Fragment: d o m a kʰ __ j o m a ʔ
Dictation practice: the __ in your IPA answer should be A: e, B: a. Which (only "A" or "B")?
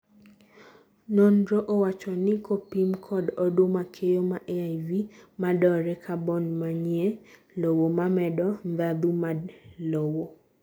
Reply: A